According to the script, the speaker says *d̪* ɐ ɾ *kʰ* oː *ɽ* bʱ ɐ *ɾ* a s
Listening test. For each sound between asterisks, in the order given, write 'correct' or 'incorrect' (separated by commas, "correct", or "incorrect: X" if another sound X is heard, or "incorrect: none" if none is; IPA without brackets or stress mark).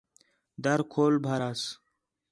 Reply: correct, correct, incorrect: l, correct